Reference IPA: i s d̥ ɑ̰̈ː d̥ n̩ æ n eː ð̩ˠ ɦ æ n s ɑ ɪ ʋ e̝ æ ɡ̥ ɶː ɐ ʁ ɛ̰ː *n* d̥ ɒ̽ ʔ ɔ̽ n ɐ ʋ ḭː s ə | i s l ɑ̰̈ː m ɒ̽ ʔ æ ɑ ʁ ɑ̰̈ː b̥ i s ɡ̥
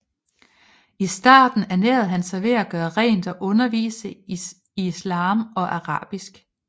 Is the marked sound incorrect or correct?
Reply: correct